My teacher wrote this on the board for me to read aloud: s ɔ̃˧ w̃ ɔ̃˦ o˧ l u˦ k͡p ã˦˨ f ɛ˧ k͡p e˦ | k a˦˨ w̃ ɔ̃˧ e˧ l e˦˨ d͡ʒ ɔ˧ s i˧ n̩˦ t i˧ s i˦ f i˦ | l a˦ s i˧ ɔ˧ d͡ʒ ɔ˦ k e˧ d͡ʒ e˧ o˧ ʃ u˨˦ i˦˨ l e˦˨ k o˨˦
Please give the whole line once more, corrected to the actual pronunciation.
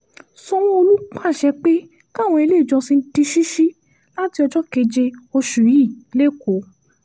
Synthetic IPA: s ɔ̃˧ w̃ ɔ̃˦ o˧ l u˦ k͡p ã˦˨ ʃ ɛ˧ k͡p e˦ | k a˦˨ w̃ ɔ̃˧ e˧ l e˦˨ d͡ʒ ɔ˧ s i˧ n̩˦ t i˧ ʃ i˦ ʃ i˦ | l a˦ t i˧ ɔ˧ d͡ʒ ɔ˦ k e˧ d͡ʒ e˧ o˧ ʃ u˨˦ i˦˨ l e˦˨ k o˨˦